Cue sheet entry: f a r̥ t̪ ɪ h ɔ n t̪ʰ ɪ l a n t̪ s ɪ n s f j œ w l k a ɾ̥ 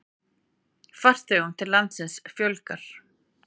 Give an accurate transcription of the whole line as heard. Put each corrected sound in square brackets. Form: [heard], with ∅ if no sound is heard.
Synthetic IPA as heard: f a r̥ t̪ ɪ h [u] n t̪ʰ ɪ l a n t̪ s ɪ n s f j œ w l k a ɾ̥

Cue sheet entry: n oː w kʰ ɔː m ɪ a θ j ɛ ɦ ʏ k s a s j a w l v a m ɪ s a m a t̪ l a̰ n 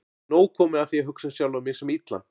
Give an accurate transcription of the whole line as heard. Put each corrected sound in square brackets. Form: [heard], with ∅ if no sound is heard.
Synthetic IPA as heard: n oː w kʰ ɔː m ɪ a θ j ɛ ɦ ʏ k s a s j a w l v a m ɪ s [ɛ] m [i] t̪ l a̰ n

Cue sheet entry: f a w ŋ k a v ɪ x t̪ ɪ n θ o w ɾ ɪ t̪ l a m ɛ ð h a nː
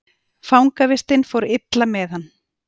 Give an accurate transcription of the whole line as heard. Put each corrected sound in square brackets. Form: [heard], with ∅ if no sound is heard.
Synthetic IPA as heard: f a w ŋ k a v ɪ [s] t̪ ɪ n [f] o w ɾ ɪ t̪ l a m ɛ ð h a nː

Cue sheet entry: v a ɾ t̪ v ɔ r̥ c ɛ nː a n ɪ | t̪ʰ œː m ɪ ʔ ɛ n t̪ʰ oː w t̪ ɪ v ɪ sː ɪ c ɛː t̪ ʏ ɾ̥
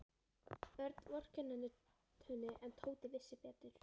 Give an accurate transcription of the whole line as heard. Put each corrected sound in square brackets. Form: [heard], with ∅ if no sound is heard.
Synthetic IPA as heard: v [ɛ] ɾ t̪ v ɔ r̥ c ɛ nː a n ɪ | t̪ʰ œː [n] ɪ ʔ ɛ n t̪ʰ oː w t̪ ɪ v ɪ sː ɪ [p] ɛː t̪ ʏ ɾ̥

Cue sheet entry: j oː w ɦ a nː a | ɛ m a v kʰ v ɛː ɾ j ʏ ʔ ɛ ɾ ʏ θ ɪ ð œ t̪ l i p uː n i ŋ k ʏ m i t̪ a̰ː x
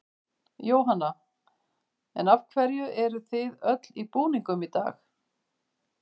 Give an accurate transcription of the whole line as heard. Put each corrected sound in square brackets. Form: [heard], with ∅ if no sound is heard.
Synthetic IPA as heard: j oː w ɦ a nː a | ɛ [n] a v kʰ v [ɛ] ɾ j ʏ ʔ ɛ ɾ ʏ θ ɪ ð œ t̪ l i p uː n i ŋ k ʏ m i t̪ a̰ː x

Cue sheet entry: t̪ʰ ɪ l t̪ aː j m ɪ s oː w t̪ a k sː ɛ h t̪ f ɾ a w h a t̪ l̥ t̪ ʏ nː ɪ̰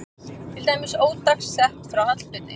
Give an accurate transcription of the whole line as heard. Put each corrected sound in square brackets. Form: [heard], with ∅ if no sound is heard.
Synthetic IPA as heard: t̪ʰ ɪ l t̪ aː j m ɪ s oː w t̪ a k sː ɛ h t̪ f ɾ a w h a t̪ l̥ t̪ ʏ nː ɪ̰

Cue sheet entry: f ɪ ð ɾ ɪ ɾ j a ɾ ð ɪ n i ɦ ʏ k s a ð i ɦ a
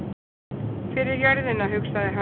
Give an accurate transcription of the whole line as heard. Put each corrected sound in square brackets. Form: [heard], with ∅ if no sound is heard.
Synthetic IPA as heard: f ɪ [∅] ɾ ɪ ɾ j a ɾ ð ɪ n [a] ɦ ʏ k s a ð [ɪ] ɦ a

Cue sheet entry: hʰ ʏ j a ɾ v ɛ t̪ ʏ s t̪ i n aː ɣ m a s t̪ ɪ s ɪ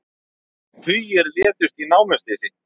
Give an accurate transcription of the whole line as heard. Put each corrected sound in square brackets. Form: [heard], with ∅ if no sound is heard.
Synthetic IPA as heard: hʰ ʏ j [ɛ] ɾ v [ɛː] t̪ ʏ s t̪ i n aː [w] m [ɛ] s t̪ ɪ s ɪ

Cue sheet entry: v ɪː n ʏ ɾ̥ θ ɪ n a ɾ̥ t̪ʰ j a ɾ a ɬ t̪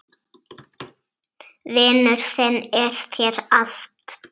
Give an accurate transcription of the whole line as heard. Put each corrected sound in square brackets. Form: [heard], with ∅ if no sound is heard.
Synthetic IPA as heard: v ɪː n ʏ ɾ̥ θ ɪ n [ɛ] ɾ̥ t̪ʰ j [ɛ] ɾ a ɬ t̪

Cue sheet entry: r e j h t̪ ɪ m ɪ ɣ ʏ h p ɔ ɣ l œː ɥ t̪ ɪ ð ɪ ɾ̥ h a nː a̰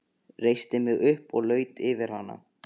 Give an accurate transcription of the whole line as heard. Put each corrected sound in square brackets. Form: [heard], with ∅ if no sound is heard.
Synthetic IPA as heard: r e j [s] t̪ ɪ m ɪ ɣ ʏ h p ɔ ɣ l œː ɥ t̪ ɪ [v] ɪ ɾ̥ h a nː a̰

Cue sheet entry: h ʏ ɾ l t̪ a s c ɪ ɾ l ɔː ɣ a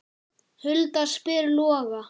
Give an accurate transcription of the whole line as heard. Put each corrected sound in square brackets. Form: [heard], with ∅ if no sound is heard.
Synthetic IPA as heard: h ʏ [∅] l t̪ a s [p] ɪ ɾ l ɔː ɣ a

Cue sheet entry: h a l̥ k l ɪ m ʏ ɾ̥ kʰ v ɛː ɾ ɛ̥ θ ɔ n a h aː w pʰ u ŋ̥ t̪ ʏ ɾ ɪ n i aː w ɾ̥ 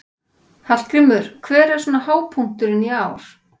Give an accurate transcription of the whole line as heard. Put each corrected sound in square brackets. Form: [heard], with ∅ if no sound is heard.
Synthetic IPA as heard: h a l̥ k [ɾ] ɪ m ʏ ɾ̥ kʰ v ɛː ɾ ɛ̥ [s] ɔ n a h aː w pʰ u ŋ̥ t̪ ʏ ɾ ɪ n i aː w ɾ̥

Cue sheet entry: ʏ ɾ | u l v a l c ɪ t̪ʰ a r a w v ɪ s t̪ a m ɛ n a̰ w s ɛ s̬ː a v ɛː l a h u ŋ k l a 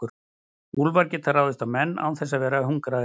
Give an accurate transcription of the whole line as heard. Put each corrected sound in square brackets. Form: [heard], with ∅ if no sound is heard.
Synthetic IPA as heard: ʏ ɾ | u l v a [ɾ] c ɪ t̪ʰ a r a w [ð] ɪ s t̪ a m ɛ [nː] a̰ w [θ] ɛ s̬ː a v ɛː [ɾ] a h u ŋ k [ɾ] a

